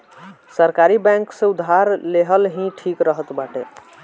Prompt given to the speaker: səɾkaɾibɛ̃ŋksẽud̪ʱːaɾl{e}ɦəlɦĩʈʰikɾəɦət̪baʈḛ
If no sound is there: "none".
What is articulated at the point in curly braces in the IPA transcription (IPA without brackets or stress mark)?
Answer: e